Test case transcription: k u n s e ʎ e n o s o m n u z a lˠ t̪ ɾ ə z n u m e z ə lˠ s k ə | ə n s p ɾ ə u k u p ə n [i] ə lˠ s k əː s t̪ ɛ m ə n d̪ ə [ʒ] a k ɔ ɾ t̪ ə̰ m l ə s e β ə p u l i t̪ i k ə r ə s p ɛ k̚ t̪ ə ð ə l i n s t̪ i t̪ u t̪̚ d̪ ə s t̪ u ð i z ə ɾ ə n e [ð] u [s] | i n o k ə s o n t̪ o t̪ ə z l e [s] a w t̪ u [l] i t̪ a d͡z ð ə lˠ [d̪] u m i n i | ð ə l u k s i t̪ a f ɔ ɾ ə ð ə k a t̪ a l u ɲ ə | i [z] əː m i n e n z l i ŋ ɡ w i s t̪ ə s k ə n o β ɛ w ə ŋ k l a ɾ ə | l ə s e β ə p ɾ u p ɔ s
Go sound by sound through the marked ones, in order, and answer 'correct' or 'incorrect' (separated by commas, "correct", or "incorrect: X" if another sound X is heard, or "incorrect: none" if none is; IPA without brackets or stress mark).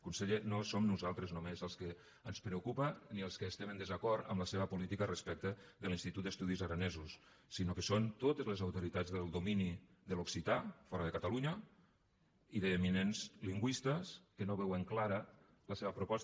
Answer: correct, incorrect: z, incorrect: z, incorrect: sː, incorrect: z, incorrect: ɾ, correct, incorrect: ð